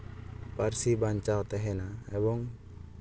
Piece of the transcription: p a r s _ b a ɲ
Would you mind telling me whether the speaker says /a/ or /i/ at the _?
i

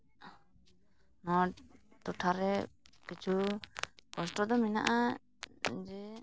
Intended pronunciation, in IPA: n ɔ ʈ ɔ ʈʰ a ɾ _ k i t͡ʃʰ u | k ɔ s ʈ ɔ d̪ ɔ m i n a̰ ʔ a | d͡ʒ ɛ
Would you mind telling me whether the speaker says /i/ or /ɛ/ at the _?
ɛ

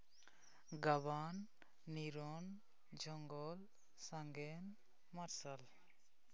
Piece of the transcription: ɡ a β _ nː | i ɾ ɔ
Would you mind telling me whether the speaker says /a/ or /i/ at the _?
a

